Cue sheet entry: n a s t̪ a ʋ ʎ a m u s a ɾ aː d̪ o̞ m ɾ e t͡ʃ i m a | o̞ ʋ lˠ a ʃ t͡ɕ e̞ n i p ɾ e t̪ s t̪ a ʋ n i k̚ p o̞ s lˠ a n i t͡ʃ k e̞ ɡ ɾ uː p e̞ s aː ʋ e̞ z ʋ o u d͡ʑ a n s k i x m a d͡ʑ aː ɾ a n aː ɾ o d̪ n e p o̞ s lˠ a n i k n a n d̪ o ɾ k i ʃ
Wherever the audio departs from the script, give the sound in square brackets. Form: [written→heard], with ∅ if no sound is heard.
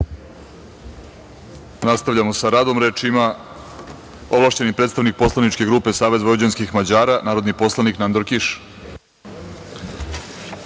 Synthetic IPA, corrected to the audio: n a s t̪ a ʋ ʎ a m [u→o] s a ɾ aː d̪ o̞ m ɾ e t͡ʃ i m a | o̞ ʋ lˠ a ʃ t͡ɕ e̞ n i p ɾ e t̪ s t̪ a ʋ n i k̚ p o̞ s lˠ a n i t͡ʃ k e̞ ɡ ɾ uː p e̞ s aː ʋ e̞ z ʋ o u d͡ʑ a n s k i x m a d͡ʑ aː ɾ a n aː ɾ o d̪ n [e→i] p o̞ s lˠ a n i k n a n d̪ o ɾ k i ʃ